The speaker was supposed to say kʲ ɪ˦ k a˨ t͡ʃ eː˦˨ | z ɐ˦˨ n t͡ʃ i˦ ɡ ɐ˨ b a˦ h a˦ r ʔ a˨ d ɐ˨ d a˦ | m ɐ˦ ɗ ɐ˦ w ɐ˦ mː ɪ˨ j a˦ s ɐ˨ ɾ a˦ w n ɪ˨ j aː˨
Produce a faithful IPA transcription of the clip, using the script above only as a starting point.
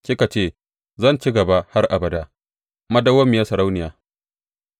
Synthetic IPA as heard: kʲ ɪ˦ k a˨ t͡ʃ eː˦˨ | z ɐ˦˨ n t͡ʃ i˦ ɡ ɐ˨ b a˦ h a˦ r ʔ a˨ b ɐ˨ d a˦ | m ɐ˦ d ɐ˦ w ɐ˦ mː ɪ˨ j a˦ s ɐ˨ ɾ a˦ w n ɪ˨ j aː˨